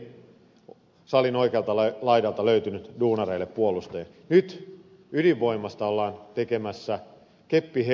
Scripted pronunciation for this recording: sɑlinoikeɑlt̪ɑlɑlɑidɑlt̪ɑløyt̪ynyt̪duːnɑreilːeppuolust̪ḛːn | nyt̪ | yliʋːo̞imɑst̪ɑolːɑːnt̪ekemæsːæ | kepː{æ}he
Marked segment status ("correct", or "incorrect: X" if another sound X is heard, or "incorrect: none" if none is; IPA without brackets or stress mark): incorrect: i